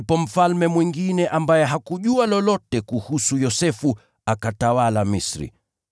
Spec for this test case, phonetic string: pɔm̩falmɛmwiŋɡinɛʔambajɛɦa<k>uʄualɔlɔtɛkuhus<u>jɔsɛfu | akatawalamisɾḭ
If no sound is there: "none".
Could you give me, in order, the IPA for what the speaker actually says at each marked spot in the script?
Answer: k, u

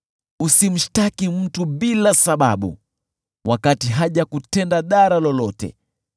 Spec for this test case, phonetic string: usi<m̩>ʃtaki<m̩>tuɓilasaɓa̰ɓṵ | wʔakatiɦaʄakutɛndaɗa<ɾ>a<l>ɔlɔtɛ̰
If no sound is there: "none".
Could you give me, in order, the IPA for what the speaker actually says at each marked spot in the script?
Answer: m̩, m̩, ɾ, l

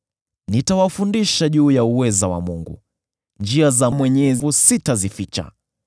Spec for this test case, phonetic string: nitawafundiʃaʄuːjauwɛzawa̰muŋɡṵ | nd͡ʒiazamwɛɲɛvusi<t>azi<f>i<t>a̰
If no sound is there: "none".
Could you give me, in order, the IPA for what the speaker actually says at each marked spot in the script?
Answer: t, f, t͡ʃ

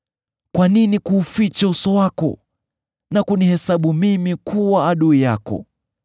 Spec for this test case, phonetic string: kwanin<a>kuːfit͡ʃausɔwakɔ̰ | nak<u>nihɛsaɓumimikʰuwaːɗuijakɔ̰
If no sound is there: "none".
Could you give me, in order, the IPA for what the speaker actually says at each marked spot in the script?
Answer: i, u

